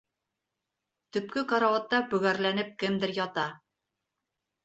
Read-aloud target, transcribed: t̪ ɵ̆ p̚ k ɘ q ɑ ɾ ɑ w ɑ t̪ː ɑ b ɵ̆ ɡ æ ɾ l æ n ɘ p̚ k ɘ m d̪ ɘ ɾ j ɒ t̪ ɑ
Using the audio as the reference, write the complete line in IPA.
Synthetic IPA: t̪ ɵ̆ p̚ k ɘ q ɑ ɾ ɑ w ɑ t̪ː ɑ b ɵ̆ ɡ æ ɾ l æ n ɘ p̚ k ɘ m d̪ ɘ ɾ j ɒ t̪ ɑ